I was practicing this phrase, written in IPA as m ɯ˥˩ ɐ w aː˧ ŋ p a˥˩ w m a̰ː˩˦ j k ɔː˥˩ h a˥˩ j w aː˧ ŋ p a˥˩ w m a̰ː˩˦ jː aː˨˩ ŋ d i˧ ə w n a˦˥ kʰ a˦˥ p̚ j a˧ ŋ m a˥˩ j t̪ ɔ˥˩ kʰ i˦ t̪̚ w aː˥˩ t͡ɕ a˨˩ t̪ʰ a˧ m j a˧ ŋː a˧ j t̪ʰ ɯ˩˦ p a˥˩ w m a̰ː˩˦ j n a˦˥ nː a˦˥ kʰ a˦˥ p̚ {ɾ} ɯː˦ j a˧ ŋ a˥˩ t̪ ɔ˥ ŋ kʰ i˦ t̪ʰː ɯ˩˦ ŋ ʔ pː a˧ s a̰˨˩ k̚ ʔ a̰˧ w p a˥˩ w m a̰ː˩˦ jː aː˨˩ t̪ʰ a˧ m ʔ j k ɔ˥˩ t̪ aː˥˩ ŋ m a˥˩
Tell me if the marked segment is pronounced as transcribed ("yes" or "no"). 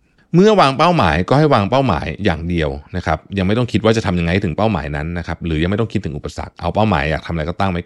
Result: yes